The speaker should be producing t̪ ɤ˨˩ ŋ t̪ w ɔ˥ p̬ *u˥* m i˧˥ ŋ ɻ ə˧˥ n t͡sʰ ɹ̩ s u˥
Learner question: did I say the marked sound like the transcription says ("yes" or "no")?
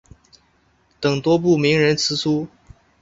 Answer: no